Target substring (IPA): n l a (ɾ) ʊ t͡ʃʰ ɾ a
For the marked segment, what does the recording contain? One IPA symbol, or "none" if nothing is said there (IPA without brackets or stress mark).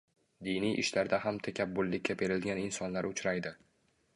ɾ